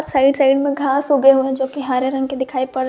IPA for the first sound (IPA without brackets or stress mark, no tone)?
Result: s